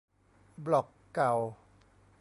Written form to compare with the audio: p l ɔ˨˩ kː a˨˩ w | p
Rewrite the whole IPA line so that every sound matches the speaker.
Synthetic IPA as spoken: b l ɔ˨˩ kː a˨˩ w | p

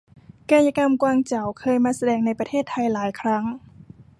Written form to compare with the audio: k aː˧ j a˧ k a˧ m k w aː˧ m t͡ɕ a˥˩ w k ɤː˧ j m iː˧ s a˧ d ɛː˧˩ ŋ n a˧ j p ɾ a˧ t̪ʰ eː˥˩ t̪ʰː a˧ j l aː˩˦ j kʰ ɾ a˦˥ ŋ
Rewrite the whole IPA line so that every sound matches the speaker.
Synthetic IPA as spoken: k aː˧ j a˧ k a˧ m k w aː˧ ŋ t͡ɕ a˨˩ w kʰ ɤː˧ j m aː˧ s a˧ d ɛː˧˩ ŋ n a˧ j p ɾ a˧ t̪ʰ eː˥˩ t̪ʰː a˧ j l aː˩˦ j kʰ ɾ a˦˥ ŋ

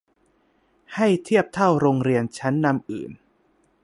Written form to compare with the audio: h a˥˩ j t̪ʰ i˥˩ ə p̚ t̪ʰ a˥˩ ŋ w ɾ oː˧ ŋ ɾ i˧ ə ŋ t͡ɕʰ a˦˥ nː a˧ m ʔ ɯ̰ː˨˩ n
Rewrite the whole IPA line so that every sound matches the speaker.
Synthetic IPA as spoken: h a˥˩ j t̪ʰ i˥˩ ə p̚ t̪ʰ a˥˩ w ɾ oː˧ ŋ ɾ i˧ ə n t͡ɕʰ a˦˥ nː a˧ m ʔ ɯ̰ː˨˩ n

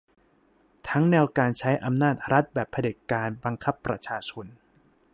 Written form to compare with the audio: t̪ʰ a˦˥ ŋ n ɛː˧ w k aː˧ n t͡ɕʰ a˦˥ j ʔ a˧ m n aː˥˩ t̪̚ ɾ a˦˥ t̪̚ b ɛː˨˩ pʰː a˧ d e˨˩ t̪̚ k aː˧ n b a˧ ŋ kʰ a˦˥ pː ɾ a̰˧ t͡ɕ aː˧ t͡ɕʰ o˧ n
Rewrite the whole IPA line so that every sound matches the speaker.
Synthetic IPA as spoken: t̪ʰ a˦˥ ŋ n ɛː˧ w k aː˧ n t͡ɕʰ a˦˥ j ʔ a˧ m n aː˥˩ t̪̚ ɾ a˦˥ t̪̚ b ɛː˨˩ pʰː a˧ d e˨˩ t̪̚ k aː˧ n b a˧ ŋ kʰ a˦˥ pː ɾ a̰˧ t͡ɕʰ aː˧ t͡ɕʰ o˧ n

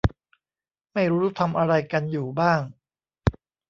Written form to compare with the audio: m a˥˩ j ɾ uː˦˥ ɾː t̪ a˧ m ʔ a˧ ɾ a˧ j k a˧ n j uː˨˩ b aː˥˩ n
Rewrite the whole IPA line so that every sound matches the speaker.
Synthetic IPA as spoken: m a˥˩ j ɾ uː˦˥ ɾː t̪ʰ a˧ m ʔ a˧ ɾ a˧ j k a˧ n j uː˨˩ b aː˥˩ ŋ

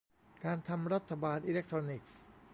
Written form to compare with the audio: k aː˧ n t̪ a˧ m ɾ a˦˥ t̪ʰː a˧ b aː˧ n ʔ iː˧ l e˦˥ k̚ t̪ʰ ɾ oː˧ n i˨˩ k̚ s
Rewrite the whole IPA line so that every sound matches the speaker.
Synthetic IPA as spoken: k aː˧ n t̪ʰ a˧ m ɾ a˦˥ t̪ʰː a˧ b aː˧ n ʔ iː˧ l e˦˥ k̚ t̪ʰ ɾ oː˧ n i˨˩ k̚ s

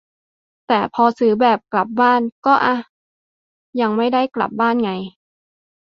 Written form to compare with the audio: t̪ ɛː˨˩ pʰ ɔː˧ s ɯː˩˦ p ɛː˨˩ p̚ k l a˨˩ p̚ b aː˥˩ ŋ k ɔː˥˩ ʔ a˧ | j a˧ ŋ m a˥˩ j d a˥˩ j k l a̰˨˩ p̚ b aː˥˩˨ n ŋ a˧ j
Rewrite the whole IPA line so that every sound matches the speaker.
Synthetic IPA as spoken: t̪ ɛː˨˩ pʰ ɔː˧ s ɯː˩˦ b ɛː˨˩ p̚ k l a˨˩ p̚ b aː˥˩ n k ɔː˥˩ ʔ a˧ | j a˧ ŋ m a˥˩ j d a˥˩ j k l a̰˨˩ p̚ b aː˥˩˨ n ŋ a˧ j

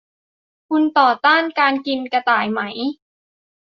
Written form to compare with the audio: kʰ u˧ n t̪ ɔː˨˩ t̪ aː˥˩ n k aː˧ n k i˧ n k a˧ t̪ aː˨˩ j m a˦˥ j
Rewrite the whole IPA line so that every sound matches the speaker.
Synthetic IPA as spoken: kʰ u˧ n t̪ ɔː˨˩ t̪ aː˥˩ n k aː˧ n k i˧ n k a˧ t̪ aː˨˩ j m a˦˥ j

